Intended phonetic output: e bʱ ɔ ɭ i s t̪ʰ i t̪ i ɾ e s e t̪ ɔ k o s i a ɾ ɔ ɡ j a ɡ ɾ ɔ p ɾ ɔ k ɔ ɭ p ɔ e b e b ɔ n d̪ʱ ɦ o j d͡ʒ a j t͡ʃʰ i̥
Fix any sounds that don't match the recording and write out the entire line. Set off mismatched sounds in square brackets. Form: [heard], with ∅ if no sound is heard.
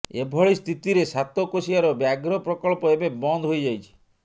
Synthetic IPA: e bʱ ɔ ɭ i s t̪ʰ i t̪ i ɾ e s [a] t̪ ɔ k o s i a ɾ ɔ [b] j a ɡ ɾ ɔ p ɾ ɔ k ɔ ɭ p ɔ e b e b ɔ n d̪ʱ ɦ o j d͡ʒ a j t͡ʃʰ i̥